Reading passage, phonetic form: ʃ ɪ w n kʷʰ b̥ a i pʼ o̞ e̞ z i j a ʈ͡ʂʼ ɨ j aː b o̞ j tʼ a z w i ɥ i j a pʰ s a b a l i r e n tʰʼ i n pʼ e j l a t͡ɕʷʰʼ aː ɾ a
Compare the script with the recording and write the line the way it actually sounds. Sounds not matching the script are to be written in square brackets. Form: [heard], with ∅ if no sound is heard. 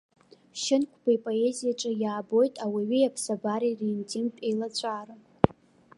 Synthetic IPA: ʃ ɪ [∅] n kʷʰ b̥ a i pʼ o̞ e̞ z i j a ʈ͡ʂʼ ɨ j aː b o̞ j tʼ a [∅] w i ɥ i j a pʰ s a b a [ɾ] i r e n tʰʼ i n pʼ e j l a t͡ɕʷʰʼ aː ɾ a